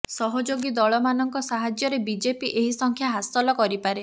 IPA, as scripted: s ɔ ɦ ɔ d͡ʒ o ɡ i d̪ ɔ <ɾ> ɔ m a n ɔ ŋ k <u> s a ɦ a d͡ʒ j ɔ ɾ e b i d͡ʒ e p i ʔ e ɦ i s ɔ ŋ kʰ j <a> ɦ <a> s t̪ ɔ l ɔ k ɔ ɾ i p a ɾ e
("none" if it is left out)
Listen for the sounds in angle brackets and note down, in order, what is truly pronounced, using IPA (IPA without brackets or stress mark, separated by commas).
ɭ, ɔ, a, a